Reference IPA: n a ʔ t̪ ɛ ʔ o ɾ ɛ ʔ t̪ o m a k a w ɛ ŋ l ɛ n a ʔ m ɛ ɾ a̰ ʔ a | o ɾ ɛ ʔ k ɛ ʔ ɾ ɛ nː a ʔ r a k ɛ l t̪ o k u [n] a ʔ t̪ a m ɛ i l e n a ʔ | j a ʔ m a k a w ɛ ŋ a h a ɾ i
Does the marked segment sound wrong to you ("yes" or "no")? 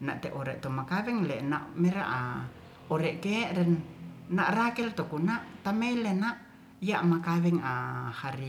no